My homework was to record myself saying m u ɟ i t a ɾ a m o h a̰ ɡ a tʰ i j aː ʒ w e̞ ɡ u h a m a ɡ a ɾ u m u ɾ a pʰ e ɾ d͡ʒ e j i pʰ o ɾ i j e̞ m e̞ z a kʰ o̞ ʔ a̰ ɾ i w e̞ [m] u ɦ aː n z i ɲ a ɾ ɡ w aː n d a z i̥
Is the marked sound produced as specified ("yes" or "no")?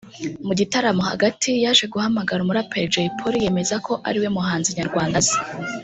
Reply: yes